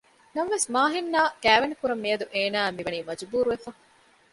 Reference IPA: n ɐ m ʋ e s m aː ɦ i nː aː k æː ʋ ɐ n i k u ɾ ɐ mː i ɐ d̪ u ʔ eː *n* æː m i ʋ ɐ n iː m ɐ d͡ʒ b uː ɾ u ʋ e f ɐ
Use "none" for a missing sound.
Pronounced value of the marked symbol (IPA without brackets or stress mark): n